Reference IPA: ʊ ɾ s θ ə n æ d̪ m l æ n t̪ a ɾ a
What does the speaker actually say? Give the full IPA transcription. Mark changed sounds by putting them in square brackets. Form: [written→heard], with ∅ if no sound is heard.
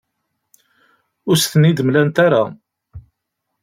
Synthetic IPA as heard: ʊ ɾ s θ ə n [æ→i] d̪ m l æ n t̪ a ɾ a